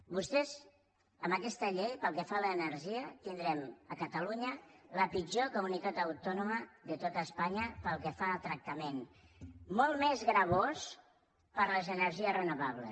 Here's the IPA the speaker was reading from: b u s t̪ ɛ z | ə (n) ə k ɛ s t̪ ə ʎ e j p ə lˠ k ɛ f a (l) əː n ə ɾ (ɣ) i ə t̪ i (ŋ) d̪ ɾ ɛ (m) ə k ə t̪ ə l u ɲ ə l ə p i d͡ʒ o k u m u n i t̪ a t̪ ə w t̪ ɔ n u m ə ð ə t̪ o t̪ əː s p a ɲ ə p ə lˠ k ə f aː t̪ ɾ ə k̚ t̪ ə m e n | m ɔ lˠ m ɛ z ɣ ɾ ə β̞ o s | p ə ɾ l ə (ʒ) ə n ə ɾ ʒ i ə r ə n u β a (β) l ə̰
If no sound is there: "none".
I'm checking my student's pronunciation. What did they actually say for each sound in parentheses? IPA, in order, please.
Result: m, l, ʒ, n, m, z, β

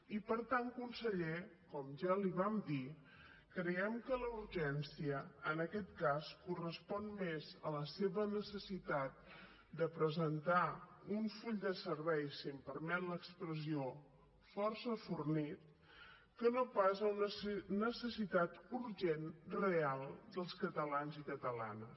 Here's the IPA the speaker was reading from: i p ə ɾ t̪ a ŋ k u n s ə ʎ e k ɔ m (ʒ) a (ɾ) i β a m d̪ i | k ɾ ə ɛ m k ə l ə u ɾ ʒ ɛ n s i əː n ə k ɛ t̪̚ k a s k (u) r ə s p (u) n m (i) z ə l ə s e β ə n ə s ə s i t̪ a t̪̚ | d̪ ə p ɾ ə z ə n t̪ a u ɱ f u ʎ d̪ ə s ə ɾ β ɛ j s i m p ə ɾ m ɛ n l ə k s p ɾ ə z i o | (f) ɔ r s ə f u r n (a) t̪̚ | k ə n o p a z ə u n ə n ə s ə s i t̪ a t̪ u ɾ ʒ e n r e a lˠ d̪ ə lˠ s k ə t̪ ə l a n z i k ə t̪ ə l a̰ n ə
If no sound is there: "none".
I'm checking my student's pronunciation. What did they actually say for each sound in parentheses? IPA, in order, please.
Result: ʒ, l, u, ɔ, e, f, i

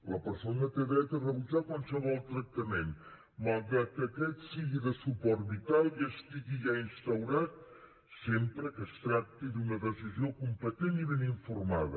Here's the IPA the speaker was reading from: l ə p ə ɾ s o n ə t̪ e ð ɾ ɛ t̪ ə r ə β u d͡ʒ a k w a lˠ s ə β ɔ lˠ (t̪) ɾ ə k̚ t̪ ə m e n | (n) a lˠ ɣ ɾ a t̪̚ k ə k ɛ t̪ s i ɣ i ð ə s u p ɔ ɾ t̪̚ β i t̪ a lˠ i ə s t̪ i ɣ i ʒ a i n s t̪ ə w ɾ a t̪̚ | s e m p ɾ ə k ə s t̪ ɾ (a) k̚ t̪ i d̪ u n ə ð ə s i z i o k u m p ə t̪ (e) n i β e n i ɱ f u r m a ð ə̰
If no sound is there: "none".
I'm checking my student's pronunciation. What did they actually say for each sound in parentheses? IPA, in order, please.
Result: t̪, m, a, e

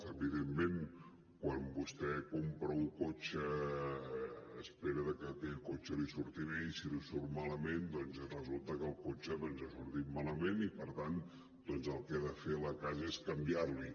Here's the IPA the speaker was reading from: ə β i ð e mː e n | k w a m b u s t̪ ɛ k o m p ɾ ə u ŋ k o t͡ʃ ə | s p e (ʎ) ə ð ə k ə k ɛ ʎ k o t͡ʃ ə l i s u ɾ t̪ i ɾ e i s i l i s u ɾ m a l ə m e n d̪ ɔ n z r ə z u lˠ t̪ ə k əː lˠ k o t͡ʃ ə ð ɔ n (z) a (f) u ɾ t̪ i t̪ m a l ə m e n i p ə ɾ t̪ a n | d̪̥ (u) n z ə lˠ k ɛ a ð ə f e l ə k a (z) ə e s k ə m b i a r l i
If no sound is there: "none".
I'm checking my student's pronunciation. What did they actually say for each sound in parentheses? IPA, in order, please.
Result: ɾ, z, s, ɔ, z

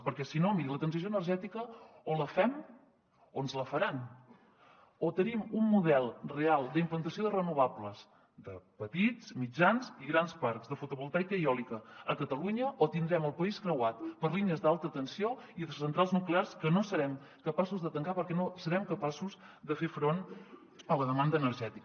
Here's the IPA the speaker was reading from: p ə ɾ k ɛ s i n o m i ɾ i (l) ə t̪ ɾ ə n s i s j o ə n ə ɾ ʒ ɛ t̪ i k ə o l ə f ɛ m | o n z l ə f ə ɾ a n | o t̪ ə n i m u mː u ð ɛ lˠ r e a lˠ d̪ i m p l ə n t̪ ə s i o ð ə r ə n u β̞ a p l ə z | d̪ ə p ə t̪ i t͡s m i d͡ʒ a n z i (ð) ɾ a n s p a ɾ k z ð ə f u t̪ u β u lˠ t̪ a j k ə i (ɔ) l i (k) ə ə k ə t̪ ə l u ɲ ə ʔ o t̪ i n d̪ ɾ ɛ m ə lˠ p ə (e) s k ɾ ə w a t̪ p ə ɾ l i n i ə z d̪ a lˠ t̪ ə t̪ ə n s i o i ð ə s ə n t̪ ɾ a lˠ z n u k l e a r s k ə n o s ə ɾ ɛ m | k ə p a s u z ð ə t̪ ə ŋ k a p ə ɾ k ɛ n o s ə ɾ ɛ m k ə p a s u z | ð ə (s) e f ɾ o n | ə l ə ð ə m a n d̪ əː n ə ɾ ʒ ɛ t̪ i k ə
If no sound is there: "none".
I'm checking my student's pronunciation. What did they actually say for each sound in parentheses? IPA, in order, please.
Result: l, ɣ, ɔ, k, i, f

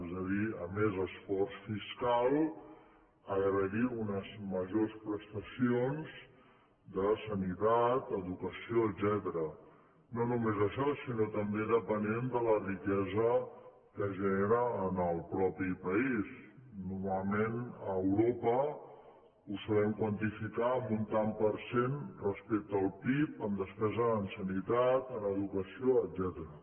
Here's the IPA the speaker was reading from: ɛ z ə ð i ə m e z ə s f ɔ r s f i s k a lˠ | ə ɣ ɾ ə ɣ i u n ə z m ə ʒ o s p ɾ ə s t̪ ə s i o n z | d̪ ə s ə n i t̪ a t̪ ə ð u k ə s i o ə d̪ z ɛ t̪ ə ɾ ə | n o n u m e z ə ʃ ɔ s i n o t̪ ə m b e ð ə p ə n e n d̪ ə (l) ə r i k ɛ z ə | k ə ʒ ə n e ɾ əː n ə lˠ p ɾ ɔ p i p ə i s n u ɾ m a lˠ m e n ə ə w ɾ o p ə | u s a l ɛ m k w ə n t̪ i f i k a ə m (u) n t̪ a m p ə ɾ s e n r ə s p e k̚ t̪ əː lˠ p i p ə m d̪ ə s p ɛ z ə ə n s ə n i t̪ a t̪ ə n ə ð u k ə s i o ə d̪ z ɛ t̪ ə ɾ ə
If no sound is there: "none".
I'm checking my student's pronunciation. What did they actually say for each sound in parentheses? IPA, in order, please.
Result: l, u

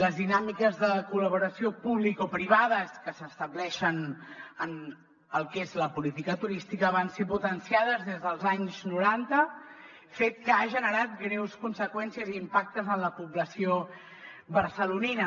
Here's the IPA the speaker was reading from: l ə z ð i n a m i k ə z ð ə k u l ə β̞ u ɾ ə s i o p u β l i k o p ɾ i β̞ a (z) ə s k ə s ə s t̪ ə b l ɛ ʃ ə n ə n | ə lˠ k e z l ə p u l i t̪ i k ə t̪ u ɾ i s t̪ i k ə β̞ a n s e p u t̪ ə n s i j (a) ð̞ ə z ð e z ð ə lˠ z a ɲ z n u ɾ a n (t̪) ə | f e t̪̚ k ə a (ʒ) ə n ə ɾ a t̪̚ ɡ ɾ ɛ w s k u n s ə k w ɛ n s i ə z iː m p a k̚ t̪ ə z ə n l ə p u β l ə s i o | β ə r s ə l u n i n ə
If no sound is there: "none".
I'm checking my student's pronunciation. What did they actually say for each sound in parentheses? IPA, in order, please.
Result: ð, a, t̪, ʒ

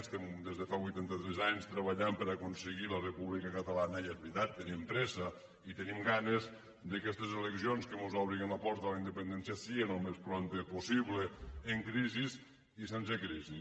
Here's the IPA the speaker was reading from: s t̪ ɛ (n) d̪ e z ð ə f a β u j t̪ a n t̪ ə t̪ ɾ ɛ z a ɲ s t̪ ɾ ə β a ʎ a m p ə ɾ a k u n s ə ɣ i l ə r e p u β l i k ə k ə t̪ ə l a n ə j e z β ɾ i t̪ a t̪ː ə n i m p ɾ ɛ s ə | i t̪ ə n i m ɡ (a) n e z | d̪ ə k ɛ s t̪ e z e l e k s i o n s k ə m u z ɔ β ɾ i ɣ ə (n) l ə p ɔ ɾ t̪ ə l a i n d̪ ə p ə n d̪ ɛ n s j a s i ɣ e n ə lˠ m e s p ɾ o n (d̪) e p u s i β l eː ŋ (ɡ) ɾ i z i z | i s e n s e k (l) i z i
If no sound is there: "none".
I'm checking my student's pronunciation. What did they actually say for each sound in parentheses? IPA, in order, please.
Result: m, a, n, t̪, k, ɾ

